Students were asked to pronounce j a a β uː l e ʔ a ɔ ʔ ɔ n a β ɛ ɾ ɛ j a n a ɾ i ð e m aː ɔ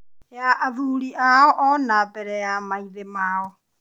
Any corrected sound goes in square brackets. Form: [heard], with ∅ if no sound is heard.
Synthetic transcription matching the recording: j a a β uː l [i] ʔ a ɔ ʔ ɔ n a [b] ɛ ɾ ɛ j a [m] a [∅] i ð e m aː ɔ